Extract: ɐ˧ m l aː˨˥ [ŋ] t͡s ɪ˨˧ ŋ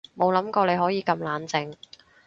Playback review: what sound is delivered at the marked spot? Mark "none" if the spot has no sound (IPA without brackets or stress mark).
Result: n